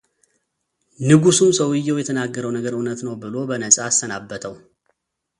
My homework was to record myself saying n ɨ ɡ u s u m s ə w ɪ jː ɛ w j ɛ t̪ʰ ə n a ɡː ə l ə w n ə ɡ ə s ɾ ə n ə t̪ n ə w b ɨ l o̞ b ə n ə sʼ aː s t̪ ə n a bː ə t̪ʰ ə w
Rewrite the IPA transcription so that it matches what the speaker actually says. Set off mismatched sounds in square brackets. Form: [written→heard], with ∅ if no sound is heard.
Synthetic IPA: n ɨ ɡ u s u m s ə w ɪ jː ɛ w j ɛ t̪ʰ ə n a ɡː ə [l→ɾ] ə w n ə ɡ ə [s→∅] ɾ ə n ə t̪ n ə w b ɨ l o̞ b ə n ə sʼ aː s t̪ ə n a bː ə t̪ʰ ə w